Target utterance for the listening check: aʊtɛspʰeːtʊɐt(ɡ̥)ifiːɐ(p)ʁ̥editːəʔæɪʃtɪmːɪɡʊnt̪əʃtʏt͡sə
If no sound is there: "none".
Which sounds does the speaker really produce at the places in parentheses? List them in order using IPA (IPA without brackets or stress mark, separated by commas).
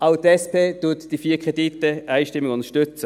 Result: d̥, k